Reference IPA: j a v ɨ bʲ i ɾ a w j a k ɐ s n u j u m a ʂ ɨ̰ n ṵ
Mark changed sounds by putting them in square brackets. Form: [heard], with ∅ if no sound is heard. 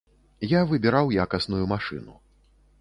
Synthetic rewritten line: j a v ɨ bʲ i ɾ a w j a k ɐ s n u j u m a ʂ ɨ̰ n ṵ